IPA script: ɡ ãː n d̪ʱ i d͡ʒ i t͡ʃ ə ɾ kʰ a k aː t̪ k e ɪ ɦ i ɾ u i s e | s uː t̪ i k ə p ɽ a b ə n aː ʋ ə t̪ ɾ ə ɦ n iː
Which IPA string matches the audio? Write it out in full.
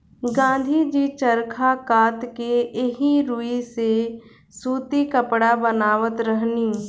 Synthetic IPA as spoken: ɡ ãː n d̪ʱ i d͡ʒ i t͡ʃ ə ɾ kʰ a k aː t̪ k e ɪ ɦ i ɾ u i s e | s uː t̪ i k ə p ɽ a b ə n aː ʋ ə t̪ ɾ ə ɦ n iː